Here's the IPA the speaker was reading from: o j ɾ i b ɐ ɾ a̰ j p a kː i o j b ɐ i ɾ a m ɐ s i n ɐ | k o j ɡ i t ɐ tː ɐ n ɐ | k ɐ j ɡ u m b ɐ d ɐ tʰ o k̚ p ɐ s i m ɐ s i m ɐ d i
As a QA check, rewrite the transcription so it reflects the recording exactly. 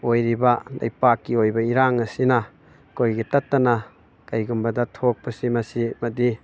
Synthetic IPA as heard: o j ɾ i b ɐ l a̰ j p a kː i o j b ɐ i ɾ a ŋ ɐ s i n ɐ | k o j ɡ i t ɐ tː ɐ n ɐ | k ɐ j ɡ u m b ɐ d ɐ tʰ o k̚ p ɐ s i m ɐ s i m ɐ d i